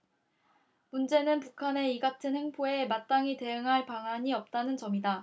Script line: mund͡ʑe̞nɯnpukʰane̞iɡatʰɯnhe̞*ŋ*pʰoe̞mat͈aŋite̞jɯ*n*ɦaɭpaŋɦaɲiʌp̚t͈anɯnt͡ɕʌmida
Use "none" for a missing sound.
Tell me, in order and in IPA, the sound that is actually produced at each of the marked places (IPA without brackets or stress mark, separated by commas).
ŋ, ŋ